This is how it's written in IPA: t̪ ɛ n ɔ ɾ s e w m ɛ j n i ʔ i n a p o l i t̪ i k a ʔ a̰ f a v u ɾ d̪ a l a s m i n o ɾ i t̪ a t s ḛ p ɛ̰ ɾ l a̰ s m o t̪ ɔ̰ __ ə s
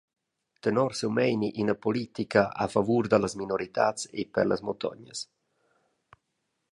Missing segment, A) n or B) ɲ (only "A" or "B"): B